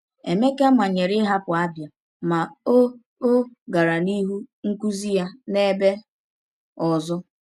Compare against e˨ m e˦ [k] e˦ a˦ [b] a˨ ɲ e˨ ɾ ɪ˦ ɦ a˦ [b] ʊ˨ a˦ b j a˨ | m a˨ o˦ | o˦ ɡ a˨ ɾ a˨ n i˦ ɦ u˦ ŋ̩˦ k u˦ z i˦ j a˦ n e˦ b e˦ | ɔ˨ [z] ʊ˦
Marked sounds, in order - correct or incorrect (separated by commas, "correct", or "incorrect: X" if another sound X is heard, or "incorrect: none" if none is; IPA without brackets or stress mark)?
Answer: correct, incorrect: m, incorrect: p, correct